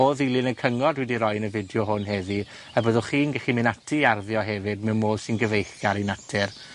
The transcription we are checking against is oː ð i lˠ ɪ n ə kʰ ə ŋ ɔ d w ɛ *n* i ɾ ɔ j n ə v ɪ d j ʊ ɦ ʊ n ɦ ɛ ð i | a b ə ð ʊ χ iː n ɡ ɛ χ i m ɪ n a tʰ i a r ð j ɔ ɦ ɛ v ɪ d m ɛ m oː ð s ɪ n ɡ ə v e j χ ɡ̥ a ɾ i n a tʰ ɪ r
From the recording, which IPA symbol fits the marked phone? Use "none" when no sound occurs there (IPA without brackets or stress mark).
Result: d